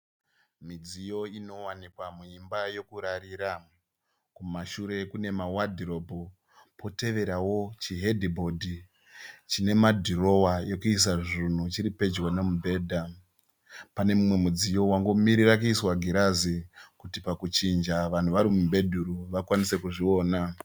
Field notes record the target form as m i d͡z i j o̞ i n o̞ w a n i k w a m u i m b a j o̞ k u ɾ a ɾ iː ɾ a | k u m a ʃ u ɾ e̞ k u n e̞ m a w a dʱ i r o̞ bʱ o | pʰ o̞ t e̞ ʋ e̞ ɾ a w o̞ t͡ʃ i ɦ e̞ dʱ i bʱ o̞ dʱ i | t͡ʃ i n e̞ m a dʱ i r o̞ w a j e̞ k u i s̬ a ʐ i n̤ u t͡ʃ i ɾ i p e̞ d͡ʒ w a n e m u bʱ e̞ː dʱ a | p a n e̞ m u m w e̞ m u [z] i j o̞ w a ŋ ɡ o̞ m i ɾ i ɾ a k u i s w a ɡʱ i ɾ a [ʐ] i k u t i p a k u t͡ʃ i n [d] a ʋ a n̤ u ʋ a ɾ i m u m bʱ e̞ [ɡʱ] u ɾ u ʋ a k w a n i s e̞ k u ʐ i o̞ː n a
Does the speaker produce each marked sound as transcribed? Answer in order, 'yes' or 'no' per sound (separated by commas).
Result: no, no, no, no